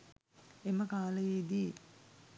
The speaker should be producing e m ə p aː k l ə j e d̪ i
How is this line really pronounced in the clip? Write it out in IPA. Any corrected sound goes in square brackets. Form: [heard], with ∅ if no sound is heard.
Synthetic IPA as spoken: e m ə [k] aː [∅] l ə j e d̪ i